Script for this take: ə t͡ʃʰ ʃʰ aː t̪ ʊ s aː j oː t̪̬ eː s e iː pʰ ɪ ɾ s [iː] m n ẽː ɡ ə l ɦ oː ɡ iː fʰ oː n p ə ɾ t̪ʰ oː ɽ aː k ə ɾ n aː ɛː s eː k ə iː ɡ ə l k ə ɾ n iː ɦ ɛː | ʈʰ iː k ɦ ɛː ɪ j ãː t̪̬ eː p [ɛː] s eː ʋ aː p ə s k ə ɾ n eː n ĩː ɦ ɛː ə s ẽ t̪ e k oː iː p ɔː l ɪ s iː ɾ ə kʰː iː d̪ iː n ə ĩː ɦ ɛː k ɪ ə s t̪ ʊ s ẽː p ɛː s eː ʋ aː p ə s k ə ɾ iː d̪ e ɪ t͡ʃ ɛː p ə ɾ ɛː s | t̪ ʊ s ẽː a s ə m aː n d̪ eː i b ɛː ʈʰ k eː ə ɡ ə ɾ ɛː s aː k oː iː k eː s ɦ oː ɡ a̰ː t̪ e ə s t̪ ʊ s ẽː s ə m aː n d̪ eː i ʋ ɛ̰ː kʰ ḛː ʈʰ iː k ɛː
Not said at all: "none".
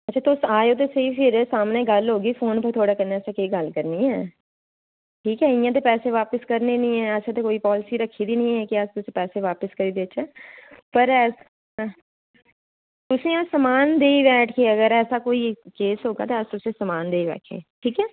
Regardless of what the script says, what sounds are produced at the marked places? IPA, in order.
aː, ɛː

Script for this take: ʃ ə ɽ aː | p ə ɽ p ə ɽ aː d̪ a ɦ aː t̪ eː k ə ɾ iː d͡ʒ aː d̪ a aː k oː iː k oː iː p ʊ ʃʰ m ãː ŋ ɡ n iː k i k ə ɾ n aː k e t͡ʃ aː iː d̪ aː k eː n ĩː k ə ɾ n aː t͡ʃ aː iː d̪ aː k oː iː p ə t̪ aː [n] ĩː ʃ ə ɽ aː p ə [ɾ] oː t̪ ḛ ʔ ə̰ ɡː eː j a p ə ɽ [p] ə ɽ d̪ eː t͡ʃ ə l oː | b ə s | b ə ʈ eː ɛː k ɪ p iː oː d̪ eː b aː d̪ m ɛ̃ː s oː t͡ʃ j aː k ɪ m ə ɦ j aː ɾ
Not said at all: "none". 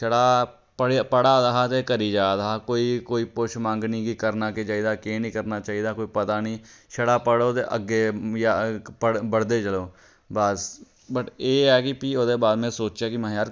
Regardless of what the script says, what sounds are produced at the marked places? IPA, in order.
n, ɽ, b

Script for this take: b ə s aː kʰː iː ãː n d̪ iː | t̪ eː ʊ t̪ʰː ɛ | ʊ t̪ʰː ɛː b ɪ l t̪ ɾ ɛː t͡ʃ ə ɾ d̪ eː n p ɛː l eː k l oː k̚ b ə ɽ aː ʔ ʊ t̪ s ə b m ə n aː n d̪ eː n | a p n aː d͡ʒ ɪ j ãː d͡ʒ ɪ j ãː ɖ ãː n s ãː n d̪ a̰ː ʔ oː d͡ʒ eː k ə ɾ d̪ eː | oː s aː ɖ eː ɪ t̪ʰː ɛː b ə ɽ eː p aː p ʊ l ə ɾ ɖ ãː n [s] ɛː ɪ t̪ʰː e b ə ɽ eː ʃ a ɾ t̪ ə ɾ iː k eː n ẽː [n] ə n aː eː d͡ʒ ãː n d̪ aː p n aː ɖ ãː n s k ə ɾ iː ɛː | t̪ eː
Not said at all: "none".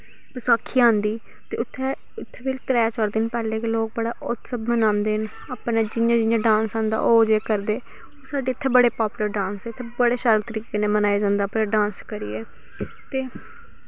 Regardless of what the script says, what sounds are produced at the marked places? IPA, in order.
s, m

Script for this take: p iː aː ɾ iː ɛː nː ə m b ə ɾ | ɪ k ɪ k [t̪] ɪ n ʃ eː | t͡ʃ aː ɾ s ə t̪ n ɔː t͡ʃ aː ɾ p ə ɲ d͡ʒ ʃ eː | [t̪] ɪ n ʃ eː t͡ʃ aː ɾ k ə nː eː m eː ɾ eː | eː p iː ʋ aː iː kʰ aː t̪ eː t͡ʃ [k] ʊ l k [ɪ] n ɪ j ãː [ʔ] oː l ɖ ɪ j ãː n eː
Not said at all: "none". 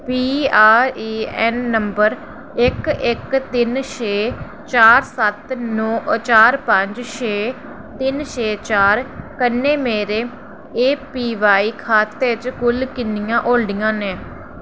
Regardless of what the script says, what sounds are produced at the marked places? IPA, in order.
t̪, t̪, k, ɪ, ʔ

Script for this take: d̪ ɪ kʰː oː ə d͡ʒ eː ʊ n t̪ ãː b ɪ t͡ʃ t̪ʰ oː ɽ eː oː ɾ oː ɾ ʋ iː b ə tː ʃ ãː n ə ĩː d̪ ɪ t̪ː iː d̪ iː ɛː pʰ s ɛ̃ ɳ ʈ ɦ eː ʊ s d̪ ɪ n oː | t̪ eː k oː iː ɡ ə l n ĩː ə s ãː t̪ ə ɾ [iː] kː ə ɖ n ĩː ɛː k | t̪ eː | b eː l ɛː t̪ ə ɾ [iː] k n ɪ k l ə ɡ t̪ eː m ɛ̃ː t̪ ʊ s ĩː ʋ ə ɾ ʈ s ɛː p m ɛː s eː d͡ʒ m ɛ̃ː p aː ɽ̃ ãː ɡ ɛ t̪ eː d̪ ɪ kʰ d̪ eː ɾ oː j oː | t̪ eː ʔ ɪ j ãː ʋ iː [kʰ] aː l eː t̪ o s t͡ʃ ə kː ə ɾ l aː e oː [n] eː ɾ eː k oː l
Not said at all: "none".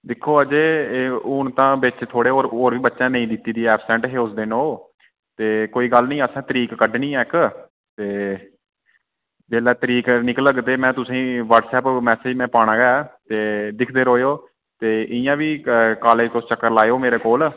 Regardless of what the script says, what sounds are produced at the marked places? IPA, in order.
iː, iː, k, m

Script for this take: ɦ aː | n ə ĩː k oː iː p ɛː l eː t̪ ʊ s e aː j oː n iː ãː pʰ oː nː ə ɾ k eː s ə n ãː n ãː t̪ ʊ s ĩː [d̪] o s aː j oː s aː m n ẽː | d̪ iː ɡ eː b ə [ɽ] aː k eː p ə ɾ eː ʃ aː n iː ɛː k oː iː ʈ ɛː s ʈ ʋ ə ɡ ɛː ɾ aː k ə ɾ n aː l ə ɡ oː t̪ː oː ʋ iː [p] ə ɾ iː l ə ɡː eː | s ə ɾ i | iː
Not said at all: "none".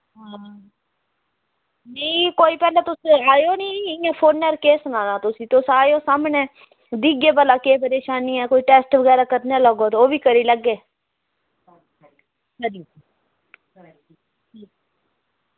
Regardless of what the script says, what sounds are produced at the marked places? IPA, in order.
t̪, l, k

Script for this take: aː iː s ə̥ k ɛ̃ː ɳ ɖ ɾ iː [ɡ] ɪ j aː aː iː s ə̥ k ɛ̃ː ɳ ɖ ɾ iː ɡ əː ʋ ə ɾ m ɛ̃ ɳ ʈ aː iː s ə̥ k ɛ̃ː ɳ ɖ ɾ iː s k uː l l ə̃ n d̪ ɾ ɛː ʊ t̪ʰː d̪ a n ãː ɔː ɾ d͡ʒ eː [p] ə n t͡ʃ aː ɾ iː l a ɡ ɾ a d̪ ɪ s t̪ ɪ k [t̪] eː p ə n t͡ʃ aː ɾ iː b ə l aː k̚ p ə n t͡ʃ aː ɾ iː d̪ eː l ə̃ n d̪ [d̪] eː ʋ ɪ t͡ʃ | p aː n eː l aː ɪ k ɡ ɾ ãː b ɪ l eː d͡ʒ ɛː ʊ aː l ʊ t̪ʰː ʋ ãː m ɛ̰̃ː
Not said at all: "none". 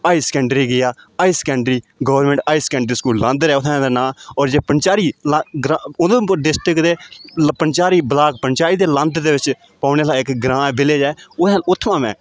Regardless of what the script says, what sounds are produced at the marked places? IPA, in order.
ɡ, p, d̪, d̪

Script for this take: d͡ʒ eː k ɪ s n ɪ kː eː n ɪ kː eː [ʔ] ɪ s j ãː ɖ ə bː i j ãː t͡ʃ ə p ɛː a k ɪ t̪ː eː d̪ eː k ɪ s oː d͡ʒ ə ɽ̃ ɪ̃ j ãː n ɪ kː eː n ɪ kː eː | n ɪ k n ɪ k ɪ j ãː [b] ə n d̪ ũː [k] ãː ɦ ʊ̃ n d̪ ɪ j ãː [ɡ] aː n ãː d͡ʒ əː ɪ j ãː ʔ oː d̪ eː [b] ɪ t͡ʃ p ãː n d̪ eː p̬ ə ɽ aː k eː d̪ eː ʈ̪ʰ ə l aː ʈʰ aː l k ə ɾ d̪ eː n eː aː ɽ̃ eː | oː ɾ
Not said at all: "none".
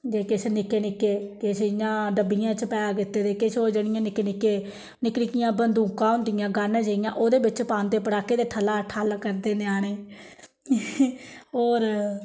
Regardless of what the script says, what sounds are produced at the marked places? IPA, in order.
k, b, k, ɡ, b

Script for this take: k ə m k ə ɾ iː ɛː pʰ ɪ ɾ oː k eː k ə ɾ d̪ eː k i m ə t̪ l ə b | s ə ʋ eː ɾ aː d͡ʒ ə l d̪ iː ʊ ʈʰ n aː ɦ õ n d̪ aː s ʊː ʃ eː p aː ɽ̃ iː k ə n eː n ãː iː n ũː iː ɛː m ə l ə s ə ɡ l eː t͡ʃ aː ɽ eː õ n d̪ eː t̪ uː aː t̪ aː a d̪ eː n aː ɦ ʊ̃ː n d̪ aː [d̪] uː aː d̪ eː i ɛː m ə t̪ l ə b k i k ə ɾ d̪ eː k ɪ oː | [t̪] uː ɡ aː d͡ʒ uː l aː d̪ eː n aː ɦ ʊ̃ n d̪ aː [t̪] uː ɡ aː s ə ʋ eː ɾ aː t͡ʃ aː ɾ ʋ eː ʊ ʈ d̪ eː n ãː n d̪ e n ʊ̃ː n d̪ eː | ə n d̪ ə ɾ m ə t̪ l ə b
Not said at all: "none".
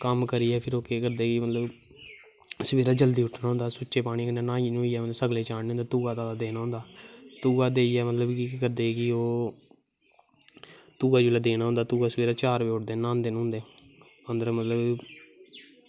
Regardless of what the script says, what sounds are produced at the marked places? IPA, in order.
t̪, t̪, t̪

